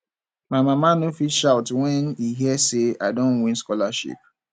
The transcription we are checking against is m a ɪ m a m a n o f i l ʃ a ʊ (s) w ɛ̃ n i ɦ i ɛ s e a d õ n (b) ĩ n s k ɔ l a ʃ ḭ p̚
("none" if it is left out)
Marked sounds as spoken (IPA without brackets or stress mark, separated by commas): t, w